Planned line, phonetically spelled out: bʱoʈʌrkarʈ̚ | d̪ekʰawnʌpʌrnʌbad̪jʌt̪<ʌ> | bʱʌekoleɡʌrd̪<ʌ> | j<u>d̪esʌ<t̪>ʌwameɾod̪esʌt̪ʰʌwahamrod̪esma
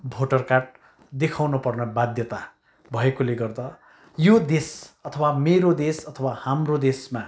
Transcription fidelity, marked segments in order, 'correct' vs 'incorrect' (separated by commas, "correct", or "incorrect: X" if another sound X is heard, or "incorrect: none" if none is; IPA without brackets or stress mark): incorrect: a, correct, incorrect: o, incorrect: t̪ʰ